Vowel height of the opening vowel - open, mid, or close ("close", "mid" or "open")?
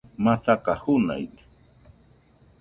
open